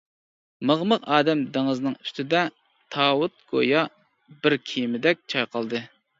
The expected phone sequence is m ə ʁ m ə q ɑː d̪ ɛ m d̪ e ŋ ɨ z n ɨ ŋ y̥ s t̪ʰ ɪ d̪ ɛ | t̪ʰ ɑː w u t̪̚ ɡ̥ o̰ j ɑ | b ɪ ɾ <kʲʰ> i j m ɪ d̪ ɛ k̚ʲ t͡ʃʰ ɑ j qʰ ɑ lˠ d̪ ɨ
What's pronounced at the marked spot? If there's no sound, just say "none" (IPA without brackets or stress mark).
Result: kʲʰ